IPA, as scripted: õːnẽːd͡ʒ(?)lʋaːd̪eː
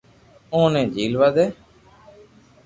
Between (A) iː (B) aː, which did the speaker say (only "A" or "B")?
A